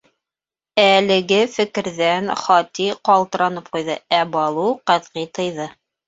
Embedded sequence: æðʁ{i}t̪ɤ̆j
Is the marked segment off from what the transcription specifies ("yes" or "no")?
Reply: no